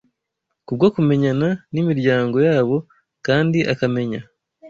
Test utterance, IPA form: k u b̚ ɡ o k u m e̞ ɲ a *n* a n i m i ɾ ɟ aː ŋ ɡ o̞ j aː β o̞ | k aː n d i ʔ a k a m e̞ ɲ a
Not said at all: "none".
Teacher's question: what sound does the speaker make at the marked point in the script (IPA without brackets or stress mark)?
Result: n